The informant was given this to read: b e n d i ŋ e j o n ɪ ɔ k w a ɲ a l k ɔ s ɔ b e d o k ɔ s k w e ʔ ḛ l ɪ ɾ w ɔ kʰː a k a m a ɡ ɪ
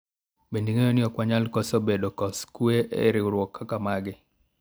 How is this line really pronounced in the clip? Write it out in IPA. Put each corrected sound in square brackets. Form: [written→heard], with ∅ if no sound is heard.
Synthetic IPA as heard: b e n d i ŋ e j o n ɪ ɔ k w a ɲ a l k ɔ s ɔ b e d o k ɔ s k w e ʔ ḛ [l→ɾ] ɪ ɾ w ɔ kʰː a k a m a ɡ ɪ